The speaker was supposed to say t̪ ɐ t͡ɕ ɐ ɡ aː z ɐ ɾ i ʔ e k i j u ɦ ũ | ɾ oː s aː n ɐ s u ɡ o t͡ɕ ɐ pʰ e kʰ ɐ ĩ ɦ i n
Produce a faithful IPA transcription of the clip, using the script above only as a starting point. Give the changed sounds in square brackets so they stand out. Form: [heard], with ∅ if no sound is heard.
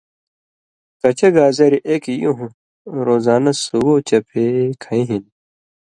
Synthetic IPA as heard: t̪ ɐ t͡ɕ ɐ ɡ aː z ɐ ɾ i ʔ e k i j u ɦ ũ | ɾ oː [z] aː n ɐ s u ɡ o t͡ɕ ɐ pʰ e kʰ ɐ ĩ ɦ i n

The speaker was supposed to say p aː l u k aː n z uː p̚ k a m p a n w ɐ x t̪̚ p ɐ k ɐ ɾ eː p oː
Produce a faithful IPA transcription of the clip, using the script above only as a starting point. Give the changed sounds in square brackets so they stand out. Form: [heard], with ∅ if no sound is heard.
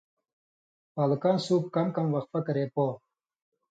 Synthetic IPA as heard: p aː l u k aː n [s] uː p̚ k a m [k] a [m] w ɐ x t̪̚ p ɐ k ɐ ɾ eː p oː

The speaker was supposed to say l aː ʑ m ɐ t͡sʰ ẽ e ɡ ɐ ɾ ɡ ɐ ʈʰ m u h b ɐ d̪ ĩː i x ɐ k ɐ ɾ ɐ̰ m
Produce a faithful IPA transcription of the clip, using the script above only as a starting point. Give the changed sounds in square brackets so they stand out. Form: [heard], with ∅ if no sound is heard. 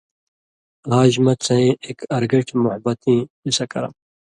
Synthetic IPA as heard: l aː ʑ m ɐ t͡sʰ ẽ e [k] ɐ ɾ ɡ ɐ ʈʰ m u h b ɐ [t̪] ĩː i [s] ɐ k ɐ ɾ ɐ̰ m

